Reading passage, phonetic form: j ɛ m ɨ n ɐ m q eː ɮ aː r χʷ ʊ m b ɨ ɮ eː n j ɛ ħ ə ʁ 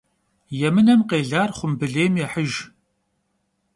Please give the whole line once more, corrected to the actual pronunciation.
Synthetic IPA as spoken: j ɛ m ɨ n ɐ m q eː ɮ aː r χʷ ʊ m b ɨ ɮ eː m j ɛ ħ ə ʒ